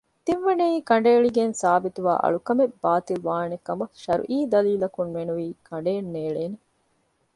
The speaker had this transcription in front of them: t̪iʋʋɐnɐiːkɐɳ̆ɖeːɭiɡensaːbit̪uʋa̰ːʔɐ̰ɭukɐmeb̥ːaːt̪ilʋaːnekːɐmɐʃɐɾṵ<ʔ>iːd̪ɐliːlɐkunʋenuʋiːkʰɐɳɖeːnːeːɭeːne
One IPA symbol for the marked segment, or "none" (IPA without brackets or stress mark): ʔ